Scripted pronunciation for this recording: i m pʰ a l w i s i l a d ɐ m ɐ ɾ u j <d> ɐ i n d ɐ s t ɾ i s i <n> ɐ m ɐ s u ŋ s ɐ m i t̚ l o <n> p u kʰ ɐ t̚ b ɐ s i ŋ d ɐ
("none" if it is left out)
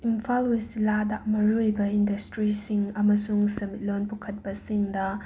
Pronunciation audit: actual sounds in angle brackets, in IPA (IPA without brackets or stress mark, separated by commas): b, ŋ, n